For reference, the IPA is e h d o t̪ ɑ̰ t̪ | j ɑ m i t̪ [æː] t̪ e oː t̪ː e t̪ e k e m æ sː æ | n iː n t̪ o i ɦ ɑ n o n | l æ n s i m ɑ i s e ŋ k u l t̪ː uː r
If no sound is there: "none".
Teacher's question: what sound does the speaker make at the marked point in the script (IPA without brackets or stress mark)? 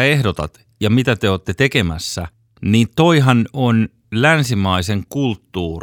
æ